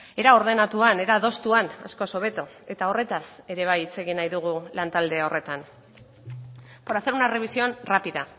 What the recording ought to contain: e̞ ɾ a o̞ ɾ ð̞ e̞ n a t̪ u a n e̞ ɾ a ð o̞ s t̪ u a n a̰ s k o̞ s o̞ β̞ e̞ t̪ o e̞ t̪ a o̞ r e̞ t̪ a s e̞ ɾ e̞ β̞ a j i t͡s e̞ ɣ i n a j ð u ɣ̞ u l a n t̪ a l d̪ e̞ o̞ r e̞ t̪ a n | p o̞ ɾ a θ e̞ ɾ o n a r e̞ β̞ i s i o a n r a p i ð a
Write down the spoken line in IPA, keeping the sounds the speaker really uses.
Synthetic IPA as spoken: e̞ ɾ a o̞ ɾ ð̞ e̞ n a t̪ u a n e̞ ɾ a ð o̞ s t̪ u a n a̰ s k o̞ s o̞ β̞ e̞ t̪ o e̞ t̪ a o̞ r e̞ t̪ a s e̞ ɾ e̞ β̞ a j i t͡s e̞ ɣ i n a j ð u ɣ̞ u l a n t̪ a l d̪ e̞ o̞ r e̞ t̪ a n | p o̞ ɾ a θ e̞ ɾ u n a r e̞ β̞ i s i o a n r a p i ð a